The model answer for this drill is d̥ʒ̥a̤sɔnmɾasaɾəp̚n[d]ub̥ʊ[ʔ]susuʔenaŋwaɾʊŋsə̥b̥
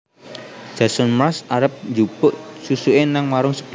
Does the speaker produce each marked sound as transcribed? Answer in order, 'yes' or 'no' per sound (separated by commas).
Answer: no, yes